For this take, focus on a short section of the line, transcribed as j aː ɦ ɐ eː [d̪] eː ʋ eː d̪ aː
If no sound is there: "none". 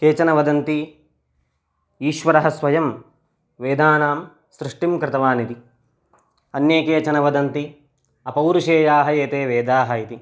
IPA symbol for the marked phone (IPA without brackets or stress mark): t̪